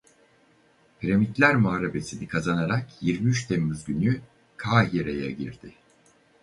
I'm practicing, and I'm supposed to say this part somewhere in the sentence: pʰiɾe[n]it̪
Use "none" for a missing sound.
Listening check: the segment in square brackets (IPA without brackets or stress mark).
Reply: m